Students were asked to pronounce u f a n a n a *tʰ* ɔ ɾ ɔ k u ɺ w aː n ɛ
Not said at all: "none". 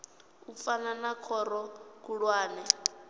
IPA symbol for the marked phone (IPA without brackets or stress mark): kʰ